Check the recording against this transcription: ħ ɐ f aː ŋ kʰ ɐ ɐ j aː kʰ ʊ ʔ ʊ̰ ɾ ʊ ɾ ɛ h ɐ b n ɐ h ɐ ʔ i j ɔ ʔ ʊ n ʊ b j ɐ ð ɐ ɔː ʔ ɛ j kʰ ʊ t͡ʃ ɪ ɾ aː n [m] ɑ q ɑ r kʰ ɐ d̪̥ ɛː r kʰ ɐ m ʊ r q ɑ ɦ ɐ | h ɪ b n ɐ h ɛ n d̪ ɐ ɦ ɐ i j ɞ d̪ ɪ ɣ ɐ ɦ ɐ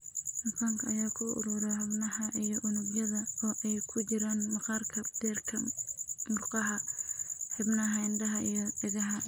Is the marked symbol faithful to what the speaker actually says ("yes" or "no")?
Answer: yes